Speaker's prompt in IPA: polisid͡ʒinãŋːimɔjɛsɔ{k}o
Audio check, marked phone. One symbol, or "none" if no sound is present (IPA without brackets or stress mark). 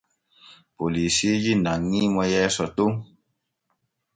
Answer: t